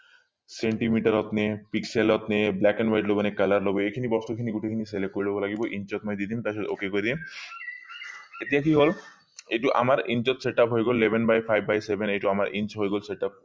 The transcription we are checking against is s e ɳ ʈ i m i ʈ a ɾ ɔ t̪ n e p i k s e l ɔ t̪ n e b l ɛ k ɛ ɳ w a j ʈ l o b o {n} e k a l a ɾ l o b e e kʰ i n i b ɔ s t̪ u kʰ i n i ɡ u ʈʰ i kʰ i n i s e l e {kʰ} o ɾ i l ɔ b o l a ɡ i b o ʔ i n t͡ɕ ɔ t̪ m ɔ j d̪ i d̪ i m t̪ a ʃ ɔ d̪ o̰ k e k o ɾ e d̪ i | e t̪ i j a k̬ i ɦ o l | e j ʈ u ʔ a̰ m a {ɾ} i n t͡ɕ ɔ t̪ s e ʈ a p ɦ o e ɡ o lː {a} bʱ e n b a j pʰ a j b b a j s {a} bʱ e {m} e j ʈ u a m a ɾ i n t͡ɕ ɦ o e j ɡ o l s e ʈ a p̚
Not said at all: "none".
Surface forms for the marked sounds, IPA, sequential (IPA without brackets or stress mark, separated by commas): n, k, ɾ, e, e, n